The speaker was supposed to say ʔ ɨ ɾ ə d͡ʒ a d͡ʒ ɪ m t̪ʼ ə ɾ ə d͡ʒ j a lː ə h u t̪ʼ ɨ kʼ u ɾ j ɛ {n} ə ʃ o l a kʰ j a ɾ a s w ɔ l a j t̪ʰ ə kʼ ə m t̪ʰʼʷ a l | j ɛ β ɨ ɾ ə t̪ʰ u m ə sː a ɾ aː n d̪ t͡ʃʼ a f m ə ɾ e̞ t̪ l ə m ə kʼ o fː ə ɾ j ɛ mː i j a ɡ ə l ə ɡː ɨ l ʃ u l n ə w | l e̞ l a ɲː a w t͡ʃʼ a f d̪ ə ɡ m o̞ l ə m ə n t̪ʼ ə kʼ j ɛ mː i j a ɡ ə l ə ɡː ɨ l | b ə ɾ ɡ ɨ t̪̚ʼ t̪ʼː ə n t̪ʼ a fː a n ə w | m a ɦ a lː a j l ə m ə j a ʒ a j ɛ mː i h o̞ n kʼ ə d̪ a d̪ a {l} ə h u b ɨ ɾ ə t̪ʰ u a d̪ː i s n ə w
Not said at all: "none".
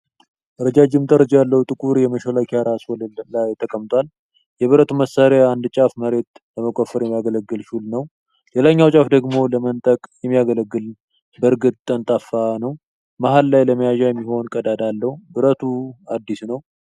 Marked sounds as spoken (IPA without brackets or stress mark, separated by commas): m, lː